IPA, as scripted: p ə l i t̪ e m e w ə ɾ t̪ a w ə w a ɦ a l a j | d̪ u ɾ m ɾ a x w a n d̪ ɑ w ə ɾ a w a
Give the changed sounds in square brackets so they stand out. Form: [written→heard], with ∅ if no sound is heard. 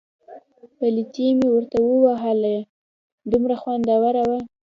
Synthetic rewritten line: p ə l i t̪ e m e w ə ɾ t̪ a w ə w a ɦ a l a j | d̪ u [ɾ→∅] m ɾ a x w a n d̪ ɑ w [ə→a] ɾ a w a